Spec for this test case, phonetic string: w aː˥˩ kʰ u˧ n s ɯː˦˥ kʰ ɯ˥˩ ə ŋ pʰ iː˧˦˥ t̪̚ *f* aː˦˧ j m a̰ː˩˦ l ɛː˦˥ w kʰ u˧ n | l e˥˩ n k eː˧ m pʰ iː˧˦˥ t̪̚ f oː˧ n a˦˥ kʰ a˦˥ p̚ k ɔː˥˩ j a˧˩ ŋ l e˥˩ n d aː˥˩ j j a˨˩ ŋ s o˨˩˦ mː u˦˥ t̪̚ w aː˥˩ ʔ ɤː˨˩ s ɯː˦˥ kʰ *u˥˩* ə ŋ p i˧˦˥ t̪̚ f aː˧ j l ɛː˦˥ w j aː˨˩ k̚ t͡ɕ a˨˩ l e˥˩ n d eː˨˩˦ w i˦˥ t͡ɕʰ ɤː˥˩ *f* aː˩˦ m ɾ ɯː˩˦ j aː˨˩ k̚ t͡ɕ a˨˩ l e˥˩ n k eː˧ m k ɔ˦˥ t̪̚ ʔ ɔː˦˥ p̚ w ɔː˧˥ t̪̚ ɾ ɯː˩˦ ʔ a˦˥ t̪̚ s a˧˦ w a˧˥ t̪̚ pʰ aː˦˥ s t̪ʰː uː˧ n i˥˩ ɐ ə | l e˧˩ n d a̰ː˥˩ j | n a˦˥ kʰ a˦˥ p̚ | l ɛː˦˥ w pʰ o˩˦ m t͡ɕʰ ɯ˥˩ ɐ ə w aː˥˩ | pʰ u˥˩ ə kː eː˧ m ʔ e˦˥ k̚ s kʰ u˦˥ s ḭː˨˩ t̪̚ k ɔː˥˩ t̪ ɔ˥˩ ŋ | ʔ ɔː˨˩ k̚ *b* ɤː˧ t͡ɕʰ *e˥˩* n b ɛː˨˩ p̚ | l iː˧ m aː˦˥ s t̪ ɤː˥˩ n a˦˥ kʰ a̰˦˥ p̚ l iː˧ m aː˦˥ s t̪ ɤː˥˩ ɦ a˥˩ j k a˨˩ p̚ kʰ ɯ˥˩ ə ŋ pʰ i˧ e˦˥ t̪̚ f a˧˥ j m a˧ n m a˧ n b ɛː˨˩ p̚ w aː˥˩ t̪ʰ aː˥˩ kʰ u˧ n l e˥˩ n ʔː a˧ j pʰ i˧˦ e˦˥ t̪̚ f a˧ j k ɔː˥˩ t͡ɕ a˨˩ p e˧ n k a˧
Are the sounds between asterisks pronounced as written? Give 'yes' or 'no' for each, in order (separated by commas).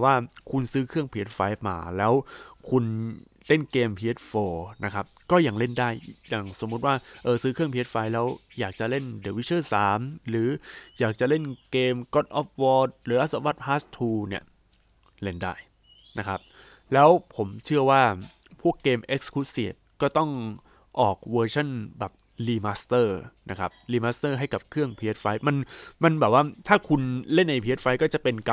yes, no, no, no, no